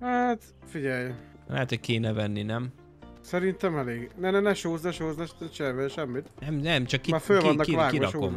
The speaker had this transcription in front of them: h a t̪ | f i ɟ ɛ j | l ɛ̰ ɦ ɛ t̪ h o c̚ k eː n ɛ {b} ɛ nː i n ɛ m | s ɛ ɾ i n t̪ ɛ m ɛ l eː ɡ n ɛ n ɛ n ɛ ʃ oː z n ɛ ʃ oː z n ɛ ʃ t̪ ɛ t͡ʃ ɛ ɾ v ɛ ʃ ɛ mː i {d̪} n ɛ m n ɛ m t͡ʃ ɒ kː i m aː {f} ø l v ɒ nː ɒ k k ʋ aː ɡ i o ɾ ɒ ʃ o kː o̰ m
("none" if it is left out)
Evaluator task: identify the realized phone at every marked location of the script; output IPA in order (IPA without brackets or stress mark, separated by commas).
v, t̪, f